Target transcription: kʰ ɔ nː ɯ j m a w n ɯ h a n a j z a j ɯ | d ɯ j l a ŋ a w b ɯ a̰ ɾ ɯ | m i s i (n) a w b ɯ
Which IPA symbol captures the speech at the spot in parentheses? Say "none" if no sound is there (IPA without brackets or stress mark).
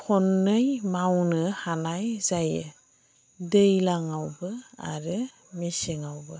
ŋ